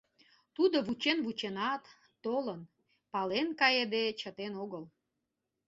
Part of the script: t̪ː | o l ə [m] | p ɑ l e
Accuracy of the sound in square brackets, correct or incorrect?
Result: incorrect